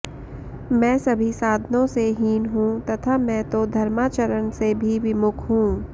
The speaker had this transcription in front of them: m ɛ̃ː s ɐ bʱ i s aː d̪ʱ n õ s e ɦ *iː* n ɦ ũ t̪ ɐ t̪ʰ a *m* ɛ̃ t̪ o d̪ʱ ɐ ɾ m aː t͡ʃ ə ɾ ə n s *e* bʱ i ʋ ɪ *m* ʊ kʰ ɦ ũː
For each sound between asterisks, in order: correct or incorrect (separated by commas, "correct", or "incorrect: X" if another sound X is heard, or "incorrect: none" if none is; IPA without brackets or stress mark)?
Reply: correct, correct, correct, correct